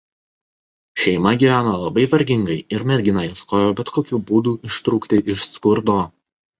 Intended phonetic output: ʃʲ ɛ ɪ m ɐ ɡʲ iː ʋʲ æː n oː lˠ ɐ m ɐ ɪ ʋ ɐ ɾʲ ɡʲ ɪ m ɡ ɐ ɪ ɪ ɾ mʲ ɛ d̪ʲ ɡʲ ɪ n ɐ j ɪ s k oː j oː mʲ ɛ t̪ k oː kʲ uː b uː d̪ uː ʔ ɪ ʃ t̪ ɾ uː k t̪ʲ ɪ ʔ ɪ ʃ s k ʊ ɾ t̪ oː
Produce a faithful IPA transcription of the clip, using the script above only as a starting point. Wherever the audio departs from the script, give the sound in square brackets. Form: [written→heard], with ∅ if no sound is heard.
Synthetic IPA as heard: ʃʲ ɛ ɪ m ɐ ɡʲ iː ʋʲ æː n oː lˠ ɐ [m→b] ɐ ɪ ʋ ɐ ɾʲ ɡʲ ɪ [m→ŋ] ɡ ɐ ɪ ɪ ɾ mʲ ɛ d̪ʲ ɡʲ ɪ n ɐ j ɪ s k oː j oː [mʲ→bʲ] ɛ t̪ k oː kʲ uː b uː d̪ uː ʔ ɪ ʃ t̪ ɾ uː k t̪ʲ ɪ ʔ ɪ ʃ s k ʊ ɾ [t̪→d̪] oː